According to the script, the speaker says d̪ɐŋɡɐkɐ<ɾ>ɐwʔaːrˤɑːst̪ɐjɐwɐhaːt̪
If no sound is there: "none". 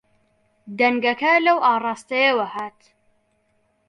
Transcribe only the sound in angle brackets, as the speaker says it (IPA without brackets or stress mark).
l